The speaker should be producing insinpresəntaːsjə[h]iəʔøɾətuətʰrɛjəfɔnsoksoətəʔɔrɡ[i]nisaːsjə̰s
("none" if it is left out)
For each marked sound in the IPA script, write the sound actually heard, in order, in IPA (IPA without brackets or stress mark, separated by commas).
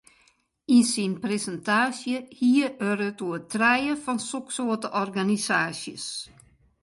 h, a